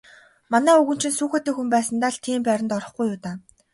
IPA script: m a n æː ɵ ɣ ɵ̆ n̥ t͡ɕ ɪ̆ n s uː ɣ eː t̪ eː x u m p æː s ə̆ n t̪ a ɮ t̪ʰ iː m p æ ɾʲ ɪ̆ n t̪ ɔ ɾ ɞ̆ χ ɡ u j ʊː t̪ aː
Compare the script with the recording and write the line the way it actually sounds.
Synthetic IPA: m a n æː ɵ ɣ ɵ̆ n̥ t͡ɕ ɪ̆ n s uː x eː t̪ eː x u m p æː s ə̆ n t̪ a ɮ t̪ʰ iː m p æ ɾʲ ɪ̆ n t̪ ɔ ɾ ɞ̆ χ ɡ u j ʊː t̪ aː